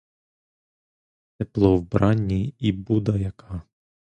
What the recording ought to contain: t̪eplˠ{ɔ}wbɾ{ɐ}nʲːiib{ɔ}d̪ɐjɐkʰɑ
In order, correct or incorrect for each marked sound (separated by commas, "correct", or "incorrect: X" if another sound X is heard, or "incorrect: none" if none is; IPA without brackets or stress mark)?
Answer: correct, incorrect: ɑ, incorrect: u